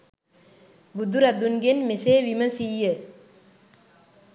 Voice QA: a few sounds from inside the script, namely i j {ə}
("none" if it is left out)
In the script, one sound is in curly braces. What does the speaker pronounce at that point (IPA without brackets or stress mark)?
ə